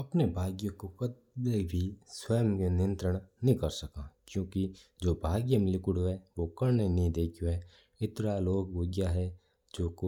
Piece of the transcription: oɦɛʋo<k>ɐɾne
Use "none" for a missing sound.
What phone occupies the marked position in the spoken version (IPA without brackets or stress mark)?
k